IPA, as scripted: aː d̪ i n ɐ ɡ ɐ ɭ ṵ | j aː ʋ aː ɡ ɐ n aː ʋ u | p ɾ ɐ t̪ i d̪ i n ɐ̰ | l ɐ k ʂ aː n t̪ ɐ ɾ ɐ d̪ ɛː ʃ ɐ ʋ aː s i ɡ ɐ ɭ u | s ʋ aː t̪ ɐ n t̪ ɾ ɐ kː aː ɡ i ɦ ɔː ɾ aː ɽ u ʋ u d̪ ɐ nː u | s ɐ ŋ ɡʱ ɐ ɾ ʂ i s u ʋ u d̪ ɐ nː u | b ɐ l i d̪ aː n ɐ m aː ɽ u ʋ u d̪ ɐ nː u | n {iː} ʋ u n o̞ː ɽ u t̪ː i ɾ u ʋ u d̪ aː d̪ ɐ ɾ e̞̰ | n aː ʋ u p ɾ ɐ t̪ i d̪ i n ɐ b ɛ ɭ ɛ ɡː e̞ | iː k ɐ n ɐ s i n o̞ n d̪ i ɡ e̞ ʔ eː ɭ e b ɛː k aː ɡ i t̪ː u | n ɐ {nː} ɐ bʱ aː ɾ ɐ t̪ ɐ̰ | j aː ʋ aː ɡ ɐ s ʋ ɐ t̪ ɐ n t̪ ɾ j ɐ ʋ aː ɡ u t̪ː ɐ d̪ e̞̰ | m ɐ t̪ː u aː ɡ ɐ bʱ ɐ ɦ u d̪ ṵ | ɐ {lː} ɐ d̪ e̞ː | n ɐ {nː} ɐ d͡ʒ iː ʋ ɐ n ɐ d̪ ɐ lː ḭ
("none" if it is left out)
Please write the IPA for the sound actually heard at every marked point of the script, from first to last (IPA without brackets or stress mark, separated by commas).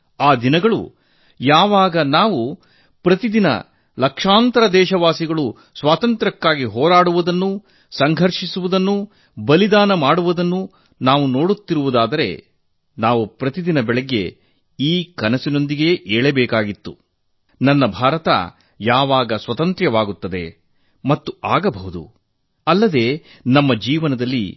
aː, nː, lː, mː